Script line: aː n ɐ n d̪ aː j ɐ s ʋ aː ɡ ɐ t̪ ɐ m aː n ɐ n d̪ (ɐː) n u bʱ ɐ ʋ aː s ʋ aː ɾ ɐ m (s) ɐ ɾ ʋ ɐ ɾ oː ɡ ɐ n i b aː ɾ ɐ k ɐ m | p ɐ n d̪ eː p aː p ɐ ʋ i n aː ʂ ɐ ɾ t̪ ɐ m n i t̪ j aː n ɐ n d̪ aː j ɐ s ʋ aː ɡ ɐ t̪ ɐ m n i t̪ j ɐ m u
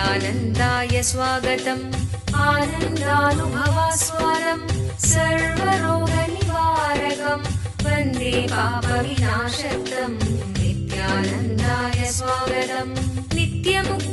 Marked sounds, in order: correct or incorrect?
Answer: incorrect, correct

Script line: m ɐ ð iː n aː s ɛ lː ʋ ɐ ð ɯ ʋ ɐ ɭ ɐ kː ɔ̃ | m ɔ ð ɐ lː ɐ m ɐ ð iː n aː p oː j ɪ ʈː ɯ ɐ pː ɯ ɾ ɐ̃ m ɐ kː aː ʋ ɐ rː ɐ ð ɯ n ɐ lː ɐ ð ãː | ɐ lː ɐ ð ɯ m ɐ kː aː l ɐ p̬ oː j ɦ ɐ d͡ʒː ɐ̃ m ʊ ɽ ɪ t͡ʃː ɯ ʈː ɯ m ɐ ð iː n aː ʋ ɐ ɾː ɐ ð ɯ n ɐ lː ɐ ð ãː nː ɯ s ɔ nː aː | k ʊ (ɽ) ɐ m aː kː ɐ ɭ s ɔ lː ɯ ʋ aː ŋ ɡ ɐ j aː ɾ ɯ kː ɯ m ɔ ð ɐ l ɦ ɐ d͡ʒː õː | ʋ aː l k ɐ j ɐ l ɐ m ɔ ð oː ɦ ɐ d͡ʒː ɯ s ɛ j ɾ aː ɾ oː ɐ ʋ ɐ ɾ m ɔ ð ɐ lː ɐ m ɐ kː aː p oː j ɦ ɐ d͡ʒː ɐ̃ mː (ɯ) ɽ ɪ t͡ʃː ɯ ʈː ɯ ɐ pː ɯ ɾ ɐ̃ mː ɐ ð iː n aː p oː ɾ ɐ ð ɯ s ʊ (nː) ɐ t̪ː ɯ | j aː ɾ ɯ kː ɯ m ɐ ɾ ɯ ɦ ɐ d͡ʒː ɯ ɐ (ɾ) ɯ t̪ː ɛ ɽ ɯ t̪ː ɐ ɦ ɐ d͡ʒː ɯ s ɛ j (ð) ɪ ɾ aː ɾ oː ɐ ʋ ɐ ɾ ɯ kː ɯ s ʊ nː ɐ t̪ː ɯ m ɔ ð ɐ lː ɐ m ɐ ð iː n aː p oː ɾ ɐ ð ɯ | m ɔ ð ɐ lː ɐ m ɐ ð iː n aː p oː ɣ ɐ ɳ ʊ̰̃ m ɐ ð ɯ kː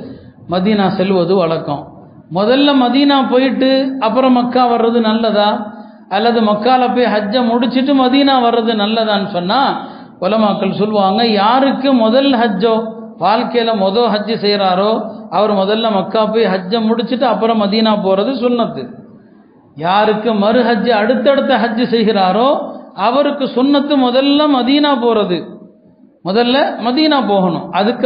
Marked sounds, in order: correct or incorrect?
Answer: incorrect, incorrect, correct, incorrect, incorrect

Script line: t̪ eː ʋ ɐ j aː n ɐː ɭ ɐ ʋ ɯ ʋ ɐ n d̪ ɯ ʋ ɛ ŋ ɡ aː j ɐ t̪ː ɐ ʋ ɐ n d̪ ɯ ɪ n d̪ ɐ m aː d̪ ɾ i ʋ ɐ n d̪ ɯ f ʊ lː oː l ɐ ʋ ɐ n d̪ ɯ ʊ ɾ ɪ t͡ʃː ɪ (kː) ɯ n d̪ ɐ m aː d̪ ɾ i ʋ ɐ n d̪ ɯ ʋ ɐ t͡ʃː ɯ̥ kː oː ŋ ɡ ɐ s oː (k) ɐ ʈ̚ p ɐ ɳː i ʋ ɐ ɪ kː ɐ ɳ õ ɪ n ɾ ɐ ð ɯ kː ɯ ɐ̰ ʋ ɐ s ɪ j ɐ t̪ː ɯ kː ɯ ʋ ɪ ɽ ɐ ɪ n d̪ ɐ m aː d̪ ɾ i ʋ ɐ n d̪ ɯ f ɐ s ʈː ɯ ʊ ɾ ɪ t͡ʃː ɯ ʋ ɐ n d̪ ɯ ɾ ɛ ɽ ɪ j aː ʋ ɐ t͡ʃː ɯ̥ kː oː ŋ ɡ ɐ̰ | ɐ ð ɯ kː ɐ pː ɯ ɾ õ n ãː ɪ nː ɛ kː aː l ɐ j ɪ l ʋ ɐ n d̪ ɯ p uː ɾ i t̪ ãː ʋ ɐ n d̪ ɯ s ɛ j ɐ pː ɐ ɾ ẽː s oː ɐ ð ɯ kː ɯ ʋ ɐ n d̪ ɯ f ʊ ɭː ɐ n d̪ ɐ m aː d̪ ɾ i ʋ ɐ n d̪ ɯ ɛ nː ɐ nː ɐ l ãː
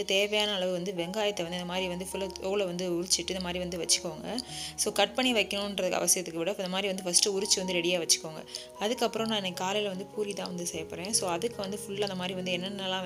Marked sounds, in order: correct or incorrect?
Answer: incorrect, correct

